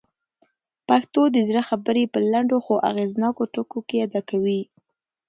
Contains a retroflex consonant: yes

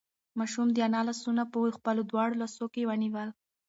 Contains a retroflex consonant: yes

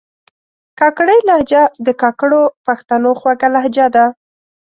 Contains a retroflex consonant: yes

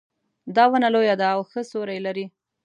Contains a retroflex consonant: no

